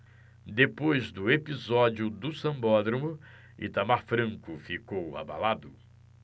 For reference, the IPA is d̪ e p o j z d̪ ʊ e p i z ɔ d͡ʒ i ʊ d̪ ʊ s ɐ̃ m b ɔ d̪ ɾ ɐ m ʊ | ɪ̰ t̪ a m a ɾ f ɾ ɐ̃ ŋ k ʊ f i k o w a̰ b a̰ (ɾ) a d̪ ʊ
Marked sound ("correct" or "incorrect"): incorrect